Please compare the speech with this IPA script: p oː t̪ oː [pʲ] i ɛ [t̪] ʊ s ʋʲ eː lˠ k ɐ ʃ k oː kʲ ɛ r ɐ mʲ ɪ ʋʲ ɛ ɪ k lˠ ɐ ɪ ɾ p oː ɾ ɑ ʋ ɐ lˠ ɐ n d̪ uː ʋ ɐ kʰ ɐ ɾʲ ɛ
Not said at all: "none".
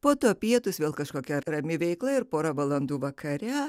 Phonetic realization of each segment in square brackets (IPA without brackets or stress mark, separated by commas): pʲ, t̪